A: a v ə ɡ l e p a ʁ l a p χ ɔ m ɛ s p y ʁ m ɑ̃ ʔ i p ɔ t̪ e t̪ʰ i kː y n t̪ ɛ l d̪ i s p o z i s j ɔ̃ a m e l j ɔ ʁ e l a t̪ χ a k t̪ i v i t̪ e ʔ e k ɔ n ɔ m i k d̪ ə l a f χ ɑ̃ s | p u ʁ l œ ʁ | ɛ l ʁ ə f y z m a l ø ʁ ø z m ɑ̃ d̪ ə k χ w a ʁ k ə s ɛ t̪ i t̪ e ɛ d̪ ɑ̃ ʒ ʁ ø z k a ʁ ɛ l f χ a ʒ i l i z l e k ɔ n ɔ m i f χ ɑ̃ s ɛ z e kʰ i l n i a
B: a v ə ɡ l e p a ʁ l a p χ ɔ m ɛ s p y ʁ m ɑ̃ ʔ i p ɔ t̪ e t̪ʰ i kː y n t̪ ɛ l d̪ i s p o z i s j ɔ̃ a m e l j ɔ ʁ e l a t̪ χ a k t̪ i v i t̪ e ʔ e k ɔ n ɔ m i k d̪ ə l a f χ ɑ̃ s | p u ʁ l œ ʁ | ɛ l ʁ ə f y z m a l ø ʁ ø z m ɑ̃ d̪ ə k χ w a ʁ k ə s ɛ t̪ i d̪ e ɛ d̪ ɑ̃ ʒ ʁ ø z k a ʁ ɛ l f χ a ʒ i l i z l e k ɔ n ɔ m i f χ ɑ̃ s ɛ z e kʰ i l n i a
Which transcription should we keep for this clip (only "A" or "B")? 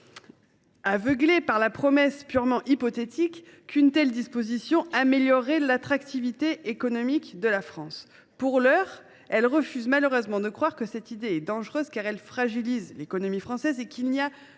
B